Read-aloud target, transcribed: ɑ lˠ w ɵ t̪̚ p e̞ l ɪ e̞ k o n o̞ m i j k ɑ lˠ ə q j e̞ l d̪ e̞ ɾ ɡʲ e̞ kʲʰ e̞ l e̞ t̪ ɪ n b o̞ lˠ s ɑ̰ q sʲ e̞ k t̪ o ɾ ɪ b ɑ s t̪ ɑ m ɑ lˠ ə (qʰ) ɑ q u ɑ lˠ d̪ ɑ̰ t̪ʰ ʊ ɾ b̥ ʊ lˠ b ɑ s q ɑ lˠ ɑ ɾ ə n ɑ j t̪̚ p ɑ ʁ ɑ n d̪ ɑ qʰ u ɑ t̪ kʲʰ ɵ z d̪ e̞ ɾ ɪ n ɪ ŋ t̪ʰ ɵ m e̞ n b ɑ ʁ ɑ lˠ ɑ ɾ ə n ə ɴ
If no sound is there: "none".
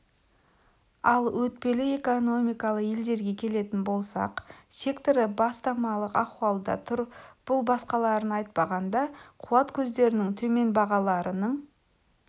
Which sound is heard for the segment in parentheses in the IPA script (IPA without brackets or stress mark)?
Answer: q